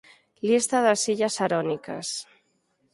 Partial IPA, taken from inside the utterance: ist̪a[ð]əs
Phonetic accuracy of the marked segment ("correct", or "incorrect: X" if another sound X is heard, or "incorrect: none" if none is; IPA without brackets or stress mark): correct